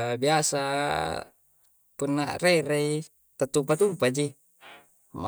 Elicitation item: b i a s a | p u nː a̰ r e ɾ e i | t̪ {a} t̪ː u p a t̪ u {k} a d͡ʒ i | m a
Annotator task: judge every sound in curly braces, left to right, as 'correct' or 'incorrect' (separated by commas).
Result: correct, incorrect